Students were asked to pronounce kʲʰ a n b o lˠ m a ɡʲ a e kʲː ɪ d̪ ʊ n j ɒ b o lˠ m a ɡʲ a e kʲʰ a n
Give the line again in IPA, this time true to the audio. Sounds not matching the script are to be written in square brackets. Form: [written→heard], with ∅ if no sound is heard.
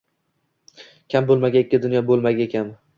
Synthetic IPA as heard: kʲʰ a [n→m] b o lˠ m a ɡʲ a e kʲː ɪ d̪ ʊ n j ɒ b o lˠ m a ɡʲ a e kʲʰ a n